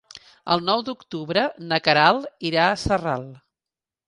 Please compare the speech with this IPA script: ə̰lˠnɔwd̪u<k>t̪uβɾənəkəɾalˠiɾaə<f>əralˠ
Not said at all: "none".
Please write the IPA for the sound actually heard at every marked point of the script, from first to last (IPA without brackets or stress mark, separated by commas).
k, s